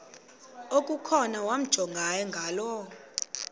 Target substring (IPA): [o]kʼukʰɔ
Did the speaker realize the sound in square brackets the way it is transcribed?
yes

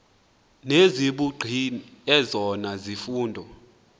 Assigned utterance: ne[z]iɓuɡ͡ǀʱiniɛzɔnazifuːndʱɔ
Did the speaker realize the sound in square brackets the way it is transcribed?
yes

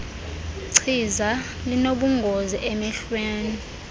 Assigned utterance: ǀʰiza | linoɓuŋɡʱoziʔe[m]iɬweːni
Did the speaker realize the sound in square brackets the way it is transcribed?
yes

